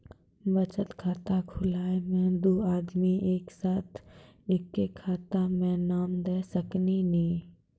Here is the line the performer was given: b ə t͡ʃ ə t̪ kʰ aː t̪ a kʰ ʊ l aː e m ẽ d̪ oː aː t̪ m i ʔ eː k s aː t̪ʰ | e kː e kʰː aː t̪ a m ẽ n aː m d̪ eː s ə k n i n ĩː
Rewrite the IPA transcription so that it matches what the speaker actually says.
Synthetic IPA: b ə t͡ʃ ə t̪ kʰ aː t̪ a kʰ ʊ l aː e m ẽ d̪ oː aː d̪ m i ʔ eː k s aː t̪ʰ | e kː e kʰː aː t̪ a m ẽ n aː m d̪ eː s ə k n i n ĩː